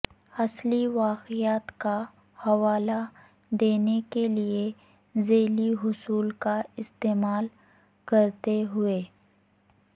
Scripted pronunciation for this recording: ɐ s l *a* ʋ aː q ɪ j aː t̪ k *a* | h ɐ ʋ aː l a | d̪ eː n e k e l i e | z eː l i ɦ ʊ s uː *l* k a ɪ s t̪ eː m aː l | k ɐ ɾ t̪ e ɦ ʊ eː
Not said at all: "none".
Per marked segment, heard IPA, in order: i, a, l

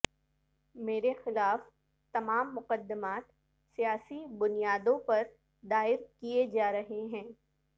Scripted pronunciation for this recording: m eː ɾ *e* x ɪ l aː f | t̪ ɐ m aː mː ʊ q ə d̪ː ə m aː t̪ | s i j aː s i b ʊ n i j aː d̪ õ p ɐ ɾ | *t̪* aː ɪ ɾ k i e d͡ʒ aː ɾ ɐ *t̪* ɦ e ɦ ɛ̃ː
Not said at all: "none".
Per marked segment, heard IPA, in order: e, d̪, none

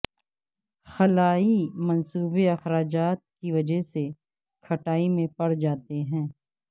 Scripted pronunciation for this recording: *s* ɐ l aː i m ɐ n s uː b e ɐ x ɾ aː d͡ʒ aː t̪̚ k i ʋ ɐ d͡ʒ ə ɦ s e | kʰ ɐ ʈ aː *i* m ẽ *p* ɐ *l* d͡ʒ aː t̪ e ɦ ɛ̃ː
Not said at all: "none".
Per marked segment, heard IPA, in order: x, i, p, ɽ

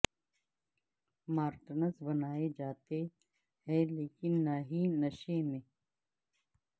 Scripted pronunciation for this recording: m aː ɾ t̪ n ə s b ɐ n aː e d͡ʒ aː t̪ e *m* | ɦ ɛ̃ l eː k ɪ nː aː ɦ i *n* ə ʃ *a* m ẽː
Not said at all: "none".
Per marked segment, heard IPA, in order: none, n, e

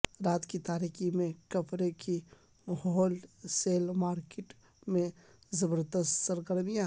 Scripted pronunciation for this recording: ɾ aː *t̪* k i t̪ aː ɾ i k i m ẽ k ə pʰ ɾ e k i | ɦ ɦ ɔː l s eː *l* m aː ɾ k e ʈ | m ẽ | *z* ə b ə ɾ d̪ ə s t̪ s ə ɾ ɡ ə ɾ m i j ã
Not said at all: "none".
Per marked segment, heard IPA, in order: t̪, l, z

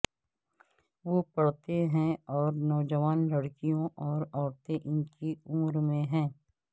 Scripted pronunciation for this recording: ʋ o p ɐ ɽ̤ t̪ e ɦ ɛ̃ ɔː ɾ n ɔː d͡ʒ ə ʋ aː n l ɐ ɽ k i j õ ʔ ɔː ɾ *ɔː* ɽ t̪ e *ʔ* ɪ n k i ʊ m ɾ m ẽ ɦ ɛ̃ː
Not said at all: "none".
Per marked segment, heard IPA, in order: ɔː, ʔ

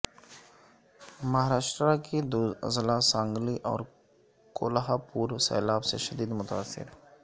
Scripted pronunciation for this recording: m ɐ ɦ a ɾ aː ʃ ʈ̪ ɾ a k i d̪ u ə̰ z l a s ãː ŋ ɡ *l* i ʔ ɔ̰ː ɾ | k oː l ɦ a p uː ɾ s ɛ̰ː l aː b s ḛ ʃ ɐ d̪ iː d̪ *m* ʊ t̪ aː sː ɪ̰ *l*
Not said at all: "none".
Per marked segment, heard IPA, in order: l, m, ɾ

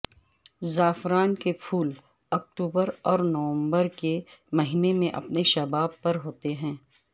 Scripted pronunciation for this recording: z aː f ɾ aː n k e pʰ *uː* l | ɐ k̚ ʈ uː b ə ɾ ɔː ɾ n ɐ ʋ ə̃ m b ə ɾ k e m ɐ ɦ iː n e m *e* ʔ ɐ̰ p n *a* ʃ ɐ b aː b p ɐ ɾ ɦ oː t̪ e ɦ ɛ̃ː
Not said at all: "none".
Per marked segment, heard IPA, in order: uː, ẽ, e

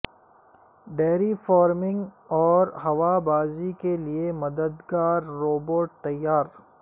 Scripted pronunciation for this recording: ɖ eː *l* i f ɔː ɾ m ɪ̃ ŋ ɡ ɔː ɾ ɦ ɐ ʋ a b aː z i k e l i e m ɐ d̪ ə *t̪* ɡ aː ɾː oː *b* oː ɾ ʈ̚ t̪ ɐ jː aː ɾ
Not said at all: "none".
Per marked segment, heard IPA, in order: ɾ, d̪, b

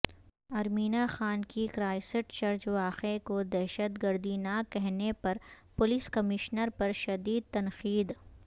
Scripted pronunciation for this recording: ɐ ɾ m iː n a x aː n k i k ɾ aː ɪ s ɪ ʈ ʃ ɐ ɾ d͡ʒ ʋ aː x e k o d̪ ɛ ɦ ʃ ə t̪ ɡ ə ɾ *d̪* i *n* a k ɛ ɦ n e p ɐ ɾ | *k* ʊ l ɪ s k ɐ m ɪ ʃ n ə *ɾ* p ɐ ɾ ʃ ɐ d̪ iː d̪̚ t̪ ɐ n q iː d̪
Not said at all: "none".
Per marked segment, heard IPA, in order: d̪, n, p, ɾ

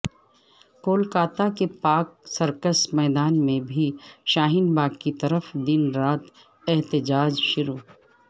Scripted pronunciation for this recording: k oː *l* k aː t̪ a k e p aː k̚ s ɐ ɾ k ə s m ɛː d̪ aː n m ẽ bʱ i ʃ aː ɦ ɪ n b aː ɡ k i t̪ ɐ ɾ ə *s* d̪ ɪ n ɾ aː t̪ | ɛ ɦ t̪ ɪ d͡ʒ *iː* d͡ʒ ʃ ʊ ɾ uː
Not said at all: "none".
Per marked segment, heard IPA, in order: l, f, aː

